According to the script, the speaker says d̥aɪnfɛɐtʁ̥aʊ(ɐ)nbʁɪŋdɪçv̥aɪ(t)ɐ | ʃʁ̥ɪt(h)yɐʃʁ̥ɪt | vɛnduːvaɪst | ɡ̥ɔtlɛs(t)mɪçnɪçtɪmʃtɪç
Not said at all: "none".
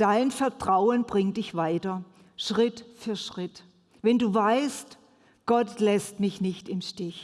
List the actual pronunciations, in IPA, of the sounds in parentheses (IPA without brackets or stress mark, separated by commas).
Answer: ə, t, f, t